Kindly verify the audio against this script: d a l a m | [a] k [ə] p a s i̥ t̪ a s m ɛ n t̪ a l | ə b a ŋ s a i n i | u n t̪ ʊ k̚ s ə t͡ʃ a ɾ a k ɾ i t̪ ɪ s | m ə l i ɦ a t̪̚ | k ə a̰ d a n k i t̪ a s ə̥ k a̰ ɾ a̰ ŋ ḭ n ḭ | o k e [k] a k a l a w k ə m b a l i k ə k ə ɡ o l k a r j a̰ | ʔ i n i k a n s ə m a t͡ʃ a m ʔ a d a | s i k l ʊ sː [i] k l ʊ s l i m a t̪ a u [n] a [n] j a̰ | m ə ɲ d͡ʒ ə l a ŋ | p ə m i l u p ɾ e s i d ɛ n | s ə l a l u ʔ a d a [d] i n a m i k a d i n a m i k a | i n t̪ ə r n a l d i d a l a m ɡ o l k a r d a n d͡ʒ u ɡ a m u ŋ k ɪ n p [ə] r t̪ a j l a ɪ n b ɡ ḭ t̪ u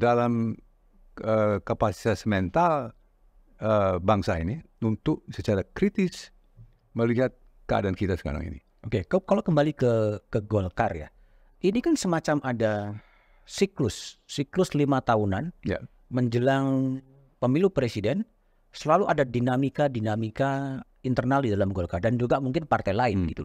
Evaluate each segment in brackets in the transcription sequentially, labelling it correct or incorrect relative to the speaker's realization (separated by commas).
incorrect, incorrect, correct, correct, correct, correct, correct, incorrect